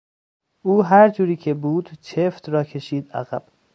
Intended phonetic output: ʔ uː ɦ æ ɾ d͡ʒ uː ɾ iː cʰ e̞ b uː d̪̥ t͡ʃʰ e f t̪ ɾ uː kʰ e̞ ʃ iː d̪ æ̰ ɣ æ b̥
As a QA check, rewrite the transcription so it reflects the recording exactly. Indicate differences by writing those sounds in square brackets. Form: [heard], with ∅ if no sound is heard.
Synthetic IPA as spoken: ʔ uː ɦ æ ɾ d͡ʒ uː ɾ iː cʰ e̞ b uː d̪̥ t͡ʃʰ e f t̪ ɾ [ɒː] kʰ e̞ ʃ iː d̪ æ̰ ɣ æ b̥